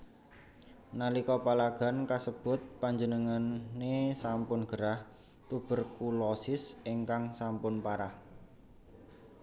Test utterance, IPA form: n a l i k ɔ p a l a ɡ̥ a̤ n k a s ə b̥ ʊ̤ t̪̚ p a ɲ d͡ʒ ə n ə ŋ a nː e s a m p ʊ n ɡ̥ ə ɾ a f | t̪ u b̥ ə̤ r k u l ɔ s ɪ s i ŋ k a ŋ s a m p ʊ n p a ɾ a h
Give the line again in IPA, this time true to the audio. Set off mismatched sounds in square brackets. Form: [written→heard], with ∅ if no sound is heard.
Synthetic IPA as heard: n a l i k ɔ p a l a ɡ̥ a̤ n k a s ə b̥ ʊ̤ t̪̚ p a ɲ d͡ʒ ə n ə ŋ a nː e s a m p ʊ n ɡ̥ ə ɾ a [f→h] | t̪ u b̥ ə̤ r k u l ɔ s ɪ s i ŋ k a ŋ s a m p ʊ n p a ɾ a h